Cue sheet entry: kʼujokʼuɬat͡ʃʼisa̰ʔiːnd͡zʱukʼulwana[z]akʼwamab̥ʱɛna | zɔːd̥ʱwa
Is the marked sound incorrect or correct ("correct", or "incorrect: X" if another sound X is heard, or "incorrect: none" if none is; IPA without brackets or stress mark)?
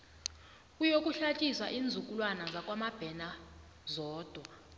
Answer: correct